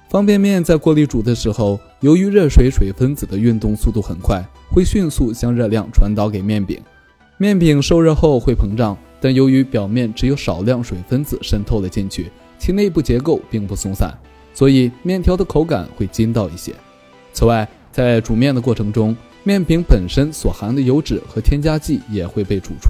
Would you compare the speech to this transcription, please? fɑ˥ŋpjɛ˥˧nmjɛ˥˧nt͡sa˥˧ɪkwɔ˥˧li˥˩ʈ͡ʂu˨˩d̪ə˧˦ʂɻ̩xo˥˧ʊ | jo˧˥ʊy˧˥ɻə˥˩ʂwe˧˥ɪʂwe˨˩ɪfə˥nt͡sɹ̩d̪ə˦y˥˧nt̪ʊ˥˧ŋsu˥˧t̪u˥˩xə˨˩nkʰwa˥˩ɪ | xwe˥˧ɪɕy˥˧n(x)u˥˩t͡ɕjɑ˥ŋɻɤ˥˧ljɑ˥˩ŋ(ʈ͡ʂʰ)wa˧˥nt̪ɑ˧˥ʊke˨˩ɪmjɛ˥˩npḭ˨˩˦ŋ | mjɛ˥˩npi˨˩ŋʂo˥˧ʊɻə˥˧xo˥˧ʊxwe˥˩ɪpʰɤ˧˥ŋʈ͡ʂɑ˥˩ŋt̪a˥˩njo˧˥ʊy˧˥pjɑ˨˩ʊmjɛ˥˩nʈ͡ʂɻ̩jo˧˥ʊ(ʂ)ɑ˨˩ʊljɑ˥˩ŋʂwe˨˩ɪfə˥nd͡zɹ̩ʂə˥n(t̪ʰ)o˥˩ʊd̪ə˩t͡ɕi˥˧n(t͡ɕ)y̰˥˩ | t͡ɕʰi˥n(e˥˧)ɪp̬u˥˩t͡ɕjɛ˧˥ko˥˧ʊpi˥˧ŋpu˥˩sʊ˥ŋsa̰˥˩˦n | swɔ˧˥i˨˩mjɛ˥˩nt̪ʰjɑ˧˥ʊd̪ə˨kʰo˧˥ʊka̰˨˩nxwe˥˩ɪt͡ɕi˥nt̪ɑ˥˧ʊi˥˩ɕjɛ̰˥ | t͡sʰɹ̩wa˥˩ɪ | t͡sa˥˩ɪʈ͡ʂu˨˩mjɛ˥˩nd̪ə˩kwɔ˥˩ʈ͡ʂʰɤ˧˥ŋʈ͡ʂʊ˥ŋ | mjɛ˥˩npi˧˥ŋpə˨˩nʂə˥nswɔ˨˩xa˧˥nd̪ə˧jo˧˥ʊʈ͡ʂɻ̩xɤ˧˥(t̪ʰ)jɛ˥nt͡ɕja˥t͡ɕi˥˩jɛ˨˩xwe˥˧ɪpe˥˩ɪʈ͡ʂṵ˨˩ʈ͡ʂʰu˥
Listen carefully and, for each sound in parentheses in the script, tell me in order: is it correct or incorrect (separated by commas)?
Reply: incorrect, correct, correct, correct, incorrect, correct, correct